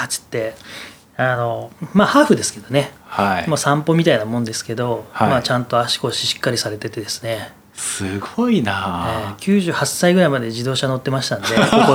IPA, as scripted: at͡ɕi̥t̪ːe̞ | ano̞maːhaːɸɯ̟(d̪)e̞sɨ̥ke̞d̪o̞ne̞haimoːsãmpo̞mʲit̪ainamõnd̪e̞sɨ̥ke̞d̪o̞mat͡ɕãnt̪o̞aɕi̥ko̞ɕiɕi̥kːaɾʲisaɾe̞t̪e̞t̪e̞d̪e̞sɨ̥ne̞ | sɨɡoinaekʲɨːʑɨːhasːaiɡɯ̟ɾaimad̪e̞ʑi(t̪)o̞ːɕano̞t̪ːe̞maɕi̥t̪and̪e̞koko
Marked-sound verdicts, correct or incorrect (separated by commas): correct, incorrect